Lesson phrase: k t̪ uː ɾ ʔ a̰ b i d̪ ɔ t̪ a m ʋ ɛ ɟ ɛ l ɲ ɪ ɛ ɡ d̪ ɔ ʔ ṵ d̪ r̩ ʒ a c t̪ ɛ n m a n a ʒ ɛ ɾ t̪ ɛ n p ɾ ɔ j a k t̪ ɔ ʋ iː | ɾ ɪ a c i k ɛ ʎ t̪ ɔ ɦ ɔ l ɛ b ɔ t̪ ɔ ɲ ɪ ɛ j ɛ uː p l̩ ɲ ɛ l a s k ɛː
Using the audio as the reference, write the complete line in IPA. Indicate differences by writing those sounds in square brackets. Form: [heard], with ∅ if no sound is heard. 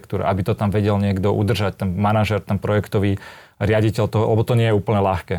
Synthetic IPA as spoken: k t̪ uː ɾ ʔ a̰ b i [t̪] ɔ t̪ a m ʋ ɛ ɟ ɛ l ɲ ɪ ɛ ɡ d̪ ɔ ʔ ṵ d̪ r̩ ʒ a c t̪ ɛ n m a n a ʒ ɛ ɾ t̪ ɛ n p ɾ ɔ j [ɛ] k t̪ ɔ ʋ iː | ɾ ɪ a [ɟ] i [c] ɛ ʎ t̪ ɔ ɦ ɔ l ɛ b ɔ t̪ ɔ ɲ ɪ ɛ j ɛ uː p l̩ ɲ ɛ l a [x] k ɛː